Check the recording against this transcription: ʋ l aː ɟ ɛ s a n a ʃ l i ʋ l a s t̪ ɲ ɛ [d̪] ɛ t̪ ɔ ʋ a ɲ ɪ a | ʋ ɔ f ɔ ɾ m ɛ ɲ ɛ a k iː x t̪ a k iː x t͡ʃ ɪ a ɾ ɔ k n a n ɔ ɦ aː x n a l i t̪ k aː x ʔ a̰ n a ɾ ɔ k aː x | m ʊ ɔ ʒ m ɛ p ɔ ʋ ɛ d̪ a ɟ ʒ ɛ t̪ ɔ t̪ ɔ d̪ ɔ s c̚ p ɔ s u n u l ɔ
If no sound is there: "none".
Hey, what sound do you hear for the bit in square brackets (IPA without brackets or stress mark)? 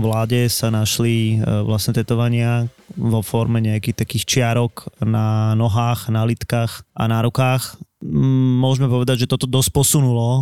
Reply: t̪